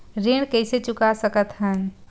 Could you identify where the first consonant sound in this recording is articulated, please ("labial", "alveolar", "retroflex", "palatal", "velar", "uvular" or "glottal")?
alveolar